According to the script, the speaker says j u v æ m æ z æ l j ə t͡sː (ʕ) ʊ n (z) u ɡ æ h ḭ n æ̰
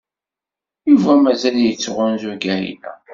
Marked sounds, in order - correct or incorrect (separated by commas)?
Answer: incorrect, correct